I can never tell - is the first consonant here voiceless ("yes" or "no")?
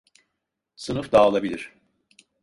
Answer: yes